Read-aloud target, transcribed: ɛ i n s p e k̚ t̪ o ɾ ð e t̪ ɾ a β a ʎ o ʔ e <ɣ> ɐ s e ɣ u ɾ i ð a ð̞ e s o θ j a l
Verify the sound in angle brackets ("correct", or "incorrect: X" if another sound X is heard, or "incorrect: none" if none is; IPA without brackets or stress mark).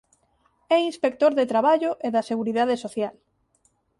incorrect: ð